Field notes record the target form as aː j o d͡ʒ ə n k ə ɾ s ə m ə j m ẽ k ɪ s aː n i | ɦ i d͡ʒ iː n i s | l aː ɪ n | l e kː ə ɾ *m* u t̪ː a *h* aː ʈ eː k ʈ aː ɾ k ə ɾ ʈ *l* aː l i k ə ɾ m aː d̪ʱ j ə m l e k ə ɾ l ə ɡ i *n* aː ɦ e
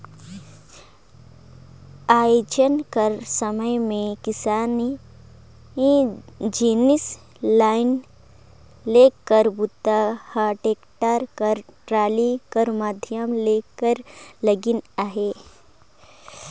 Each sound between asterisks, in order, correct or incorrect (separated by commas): incorrect, correct, incorrect, correct